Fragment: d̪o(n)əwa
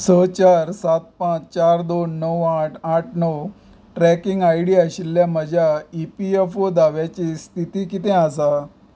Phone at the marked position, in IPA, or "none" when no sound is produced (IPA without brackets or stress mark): nː